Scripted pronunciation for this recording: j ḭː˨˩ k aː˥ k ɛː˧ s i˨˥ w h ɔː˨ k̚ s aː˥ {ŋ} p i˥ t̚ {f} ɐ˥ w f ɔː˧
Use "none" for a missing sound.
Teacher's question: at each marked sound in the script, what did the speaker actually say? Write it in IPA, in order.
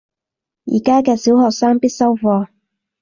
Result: ŋ, s

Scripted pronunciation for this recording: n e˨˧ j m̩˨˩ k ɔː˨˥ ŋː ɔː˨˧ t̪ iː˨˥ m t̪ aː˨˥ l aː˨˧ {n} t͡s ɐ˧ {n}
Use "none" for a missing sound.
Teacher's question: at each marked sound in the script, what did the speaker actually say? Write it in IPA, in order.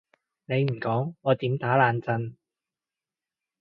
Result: n, n

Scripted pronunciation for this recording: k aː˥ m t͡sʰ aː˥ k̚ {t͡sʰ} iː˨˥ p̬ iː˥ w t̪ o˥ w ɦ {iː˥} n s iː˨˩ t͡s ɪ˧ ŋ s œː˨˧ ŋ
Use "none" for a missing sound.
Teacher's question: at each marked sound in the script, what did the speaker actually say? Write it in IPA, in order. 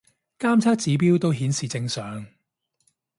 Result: t͡s, iː˨˥

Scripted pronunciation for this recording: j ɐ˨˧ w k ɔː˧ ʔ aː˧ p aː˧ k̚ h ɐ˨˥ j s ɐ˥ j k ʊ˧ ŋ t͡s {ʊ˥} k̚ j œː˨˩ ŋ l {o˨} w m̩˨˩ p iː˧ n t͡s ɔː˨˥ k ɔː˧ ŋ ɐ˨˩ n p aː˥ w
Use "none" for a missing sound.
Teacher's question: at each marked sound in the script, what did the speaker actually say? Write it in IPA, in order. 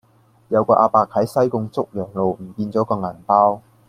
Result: ʊ˥, o˨

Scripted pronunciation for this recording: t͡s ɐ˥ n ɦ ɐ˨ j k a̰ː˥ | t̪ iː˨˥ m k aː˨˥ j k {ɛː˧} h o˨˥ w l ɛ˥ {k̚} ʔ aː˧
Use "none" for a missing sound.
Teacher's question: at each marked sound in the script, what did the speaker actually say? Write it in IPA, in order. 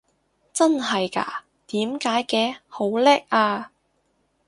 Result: ɛː˧, k̚

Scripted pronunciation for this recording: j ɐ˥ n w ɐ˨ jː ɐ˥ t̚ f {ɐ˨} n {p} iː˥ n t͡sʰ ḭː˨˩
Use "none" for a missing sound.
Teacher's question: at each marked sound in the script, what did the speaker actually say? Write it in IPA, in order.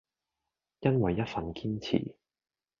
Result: ɐ˨, k

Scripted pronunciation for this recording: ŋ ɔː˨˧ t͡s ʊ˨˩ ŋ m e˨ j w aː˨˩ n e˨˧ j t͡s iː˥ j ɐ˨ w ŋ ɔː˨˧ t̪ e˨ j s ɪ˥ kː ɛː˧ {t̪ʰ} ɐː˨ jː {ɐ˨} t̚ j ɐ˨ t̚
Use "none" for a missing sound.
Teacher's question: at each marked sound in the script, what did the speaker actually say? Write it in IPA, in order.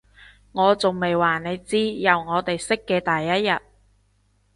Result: t̪, ɐ˥

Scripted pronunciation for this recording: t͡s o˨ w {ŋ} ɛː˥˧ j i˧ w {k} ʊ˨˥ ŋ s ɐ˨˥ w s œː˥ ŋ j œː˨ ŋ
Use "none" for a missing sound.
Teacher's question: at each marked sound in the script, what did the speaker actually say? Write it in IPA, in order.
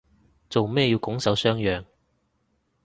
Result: m, k

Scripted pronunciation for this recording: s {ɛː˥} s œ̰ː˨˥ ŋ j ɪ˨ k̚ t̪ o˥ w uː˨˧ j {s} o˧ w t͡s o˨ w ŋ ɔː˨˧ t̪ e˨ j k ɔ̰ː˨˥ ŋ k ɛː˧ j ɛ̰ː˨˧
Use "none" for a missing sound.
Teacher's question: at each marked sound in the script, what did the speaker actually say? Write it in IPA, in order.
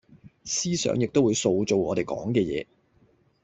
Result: iː˥, s

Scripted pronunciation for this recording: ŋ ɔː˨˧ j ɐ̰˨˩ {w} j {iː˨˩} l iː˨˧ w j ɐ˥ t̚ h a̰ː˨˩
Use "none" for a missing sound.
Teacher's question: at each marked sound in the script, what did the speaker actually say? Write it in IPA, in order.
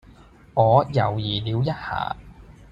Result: w, iː˨˩

